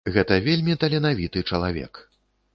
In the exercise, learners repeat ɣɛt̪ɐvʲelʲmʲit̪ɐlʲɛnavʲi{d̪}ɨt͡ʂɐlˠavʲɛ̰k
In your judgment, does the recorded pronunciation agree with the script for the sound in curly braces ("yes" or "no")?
no